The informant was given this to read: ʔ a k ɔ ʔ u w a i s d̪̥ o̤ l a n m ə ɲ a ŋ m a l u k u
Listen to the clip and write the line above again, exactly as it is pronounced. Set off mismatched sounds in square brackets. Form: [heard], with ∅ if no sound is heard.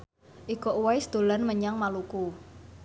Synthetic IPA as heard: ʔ [i] k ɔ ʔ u w a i s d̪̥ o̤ l a n m ə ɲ a ŋ m a l u k u